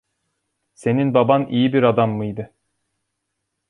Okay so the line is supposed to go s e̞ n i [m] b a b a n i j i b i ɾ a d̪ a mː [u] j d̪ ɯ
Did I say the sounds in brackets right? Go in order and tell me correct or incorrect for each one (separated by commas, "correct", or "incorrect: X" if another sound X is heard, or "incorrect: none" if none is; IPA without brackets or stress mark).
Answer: incorrect: n, incorrect: ɯ